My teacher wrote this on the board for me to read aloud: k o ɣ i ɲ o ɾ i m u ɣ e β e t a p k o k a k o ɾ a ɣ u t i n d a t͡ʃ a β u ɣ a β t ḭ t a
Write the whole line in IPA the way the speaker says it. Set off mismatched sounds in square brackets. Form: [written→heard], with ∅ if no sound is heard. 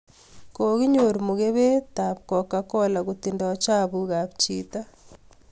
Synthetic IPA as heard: k o ɣ i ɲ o ɾ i m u ɣ e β e t a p k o k a k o [ɾ→l] a ɣ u t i n d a t͡ʃ a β u ɣ a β [t→t͡ʃ] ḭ t a